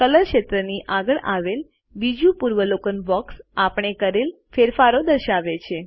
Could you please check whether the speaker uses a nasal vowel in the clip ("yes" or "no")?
no